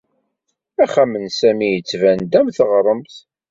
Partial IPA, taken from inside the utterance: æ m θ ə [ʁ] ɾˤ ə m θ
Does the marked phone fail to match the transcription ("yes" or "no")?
no